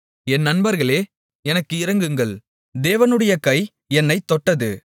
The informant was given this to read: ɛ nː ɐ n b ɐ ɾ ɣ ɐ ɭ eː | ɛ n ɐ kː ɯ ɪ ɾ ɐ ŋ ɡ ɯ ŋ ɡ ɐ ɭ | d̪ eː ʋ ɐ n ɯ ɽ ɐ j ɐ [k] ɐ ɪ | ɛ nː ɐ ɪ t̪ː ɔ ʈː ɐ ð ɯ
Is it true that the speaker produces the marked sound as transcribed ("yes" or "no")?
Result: yes